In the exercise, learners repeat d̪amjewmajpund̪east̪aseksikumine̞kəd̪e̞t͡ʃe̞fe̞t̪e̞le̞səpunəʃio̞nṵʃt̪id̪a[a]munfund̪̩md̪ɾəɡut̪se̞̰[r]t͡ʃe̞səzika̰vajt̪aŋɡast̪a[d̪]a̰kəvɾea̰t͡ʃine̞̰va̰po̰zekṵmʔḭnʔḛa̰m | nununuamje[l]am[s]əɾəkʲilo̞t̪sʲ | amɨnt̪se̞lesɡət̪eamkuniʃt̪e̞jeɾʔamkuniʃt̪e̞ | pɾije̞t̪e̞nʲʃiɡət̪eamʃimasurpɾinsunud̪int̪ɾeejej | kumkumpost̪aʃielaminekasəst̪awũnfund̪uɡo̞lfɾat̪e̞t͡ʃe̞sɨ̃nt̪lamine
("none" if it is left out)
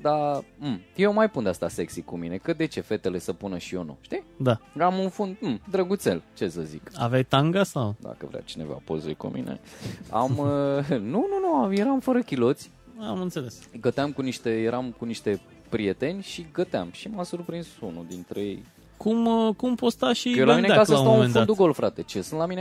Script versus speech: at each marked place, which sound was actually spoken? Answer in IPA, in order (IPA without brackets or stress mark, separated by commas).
a, l, d̪, ɾ, f